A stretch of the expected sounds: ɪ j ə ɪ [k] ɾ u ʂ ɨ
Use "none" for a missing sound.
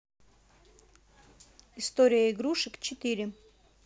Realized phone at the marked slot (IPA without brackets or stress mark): ɡ